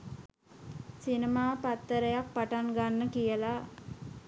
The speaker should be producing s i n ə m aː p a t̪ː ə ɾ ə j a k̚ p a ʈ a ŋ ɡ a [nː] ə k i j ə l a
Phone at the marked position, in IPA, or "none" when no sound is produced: nː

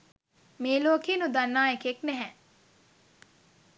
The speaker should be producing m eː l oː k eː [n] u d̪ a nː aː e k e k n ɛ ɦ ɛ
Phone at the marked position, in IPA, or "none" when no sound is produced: n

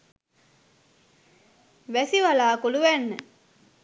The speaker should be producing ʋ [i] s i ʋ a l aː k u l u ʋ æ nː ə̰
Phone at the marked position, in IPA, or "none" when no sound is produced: æ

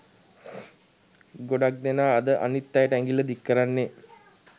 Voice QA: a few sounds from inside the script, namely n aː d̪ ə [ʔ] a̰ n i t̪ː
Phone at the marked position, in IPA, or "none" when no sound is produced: ʔ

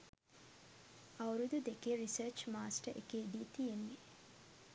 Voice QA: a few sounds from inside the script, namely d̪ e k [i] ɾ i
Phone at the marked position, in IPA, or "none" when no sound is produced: e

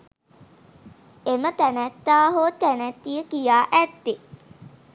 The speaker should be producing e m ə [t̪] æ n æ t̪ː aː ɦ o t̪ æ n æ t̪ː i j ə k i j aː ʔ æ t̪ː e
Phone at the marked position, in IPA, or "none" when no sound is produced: t̪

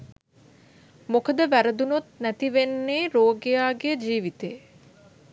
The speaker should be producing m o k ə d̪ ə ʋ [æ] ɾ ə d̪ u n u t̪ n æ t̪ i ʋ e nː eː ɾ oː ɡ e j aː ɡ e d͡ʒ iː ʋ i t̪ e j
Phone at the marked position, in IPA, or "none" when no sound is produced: æ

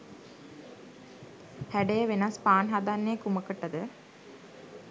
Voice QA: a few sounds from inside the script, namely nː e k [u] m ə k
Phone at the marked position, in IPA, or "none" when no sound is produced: u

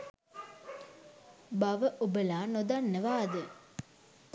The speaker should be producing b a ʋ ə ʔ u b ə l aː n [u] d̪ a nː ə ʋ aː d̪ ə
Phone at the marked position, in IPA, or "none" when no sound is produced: o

